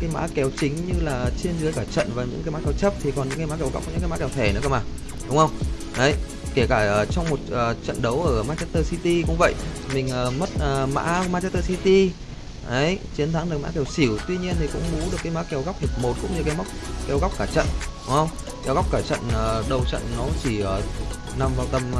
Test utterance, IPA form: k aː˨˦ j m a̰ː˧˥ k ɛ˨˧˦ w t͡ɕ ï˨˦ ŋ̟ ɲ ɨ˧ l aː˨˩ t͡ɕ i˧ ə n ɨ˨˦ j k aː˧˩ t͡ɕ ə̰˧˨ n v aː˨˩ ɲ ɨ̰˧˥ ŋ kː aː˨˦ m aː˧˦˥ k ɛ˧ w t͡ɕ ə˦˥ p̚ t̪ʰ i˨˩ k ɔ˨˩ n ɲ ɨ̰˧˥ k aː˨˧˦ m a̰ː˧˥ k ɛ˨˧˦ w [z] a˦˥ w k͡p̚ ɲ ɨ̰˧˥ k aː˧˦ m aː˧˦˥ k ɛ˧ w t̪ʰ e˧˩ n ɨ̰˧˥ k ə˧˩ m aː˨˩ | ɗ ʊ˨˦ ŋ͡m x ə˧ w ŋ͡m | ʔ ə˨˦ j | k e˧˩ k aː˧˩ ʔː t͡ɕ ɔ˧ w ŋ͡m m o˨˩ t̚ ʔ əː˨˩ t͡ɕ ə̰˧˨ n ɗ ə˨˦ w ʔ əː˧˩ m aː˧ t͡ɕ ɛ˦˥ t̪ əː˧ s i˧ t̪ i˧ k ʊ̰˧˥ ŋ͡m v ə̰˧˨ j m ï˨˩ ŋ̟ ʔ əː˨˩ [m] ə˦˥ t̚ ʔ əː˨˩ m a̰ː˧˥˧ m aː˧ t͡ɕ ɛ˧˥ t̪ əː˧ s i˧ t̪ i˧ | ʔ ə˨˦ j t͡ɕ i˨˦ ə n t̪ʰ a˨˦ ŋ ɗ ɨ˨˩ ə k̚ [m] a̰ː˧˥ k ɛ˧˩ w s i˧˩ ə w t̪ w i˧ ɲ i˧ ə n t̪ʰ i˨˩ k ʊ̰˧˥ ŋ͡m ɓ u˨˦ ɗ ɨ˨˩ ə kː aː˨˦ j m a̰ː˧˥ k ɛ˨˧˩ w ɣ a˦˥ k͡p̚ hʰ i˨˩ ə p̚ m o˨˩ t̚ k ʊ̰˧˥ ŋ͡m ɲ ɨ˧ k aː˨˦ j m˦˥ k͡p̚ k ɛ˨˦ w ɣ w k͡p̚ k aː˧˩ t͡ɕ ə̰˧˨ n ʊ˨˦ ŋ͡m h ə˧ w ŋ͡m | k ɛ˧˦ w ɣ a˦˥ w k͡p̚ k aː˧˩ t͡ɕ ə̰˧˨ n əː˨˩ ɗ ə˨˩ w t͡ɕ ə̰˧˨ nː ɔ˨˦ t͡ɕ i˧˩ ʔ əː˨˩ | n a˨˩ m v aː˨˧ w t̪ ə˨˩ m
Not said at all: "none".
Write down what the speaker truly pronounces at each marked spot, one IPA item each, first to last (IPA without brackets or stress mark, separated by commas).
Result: ɣ, m, m